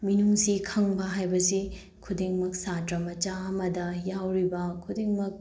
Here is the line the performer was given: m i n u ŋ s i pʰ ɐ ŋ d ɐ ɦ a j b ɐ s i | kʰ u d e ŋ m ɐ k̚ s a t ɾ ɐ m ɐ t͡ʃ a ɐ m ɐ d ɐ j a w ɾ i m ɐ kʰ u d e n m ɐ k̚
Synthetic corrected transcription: m i n u ŋ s i kʰ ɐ ŋ b ɐ ɦ a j b ɐ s i | kʰ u d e ŋ m ɐ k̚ s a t ɾ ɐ m ɐ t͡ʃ a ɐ m ɐ d ɐ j a w ɾ i b ɐ kʰ u d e ŋ m ɐ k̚